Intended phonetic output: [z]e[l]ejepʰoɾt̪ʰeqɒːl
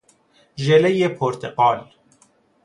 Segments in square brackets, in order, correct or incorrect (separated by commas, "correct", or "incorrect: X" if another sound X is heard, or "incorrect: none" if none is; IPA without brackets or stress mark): incorrect: ʒ, correct